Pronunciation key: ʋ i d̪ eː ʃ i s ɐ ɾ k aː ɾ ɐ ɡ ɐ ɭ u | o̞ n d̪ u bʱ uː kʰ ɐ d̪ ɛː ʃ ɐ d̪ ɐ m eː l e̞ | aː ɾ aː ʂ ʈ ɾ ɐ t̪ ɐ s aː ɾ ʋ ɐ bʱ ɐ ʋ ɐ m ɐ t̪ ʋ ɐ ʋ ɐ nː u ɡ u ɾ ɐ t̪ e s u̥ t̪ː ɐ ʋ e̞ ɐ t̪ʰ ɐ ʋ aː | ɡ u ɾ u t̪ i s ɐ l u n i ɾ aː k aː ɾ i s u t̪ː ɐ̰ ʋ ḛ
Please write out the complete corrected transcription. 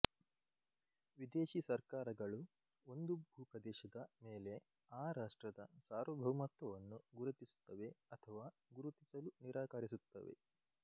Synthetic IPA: ʋ i d̪ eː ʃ i s ɐ ɾ k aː ɾ ɐ ɡ ɐ ɭ u | o̞ n d̪ u bʱ uː k ɐ d̪ ɛː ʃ ɐ d̪ ɐ m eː l e̞ | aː ɾ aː ʂ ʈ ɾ ɐ d̪ ɐ s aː ɾ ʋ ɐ bʱ ɐ ʋ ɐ m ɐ t̪ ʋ ɐ ʋ ɐ nː u ɡ u ɾ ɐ t̪ i s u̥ t̪ː ɐ ʋ e̞ ɐ t̪ʰ ɐ ʋ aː | ɡ u ɾ u t̪ i s ɐ l u n i ɾ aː k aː ɾ i s u t̪ː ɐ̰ ʋ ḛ